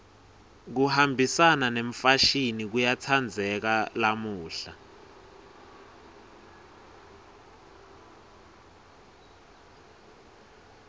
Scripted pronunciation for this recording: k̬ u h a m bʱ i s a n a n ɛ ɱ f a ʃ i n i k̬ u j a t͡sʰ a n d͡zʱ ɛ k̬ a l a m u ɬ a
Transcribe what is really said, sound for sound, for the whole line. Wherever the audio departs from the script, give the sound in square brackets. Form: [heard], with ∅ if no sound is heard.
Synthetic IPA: k̬ u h a m bʱ i s a n a n [e] ɱ f a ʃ i n i k̬ u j a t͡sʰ a n d͡zʱ ɛ k̬ a l a m [uː] ɬ a